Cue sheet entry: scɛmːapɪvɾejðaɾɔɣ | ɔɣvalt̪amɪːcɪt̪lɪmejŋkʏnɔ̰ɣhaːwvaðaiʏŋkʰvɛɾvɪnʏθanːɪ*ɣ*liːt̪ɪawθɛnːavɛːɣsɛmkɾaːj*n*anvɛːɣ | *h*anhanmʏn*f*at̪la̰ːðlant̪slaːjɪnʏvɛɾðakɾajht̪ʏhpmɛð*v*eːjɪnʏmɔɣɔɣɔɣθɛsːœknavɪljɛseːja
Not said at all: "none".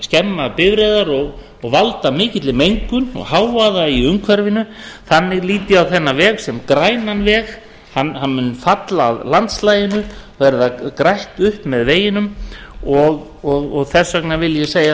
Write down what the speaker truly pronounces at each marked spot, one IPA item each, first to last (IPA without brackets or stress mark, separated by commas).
ɣ, n, h, f, v